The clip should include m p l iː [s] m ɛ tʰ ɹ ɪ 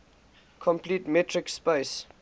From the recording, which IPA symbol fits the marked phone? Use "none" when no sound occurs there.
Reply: t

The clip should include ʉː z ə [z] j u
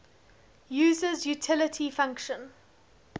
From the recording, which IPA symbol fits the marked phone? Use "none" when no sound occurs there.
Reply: z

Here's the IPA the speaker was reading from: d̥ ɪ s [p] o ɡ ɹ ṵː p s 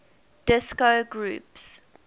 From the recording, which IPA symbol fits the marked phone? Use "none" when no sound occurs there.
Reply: k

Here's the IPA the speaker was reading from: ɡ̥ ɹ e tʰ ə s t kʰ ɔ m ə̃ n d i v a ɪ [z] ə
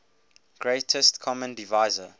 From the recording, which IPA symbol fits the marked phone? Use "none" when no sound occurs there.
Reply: z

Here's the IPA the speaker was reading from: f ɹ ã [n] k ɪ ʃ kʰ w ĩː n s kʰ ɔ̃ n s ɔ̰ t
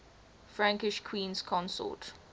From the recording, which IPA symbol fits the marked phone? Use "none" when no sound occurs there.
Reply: ŋ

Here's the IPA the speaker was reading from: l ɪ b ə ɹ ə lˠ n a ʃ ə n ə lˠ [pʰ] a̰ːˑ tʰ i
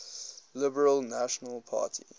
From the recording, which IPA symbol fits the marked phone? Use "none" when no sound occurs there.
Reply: pʰ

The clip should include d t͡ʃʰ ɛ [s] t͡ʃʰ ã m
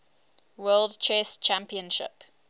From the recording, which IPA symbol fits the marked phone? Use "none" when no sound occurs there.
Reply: s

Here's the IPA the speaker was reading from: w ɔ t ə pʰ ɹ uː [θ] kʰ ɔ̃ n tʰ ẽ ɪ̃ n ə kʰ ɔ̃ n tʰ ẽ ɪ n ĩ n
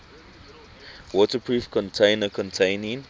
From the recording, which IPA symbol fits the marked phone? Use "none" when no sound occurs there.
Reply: f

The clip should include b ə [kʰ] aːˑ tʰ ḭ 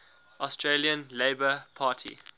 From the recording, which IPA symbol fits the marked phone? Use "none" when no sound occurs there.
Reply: pʰ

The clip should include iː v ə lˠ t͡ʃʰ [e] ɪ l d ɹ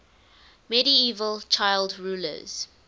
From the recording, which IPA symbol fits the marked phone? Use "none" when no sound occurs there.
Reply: a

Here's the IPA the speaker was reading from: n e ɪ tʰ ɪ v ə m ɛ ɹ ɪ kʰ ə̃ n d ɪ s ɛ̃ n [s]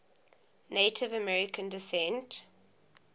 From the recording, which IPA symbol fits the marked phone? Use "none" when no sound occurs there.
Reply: t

